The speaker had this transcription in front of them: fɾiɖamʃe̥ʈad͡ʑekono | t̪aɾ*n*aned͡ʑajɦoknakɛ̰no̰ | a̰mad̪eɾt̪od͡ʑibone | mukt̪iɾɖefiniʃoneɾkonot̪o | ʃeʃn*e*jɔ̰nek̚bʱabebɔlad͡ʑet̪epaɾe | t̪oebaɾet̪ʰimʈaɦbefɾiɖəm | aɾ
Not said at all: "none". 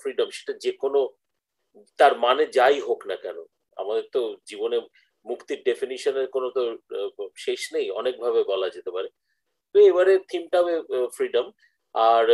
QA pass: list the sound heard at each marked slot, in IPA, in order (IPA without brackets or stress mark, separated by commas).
m, e